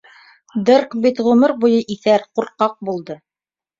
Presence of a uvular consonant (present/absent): present